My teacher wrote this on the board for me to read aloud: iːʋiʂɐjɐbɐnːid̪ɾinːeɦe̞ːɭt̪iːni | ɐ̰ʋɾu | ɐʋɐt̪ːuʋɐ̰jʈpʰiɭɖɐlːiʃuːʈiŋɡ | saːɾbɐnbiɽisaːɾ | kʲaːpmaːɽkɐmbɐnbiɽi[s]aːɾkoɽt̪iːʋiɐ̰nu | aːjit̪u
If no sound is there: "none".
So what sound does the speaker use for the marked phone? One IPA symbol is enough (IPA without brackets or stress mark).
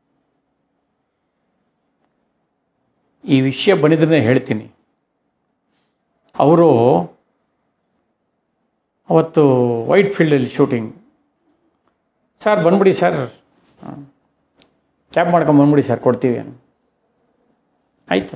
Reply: s